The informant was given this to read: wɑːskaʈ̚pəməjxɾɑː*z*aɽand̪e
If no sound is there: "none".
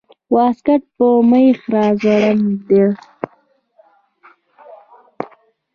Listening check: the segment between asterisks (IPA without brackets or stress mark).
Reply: z